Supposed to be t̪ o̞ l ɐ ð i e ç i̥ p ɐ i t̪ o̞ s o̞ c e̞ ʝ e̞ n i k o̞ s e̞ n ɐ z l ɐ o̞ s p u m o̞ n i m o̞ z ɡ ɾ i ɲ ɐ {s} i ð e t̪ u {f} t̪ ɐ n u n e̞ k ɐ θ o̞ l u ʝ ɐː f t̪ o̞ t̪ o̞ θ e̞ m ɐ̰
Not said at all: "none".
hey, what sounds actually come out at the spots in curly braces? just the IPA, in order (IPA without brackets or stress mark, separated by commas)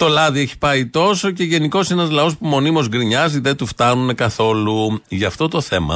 z, f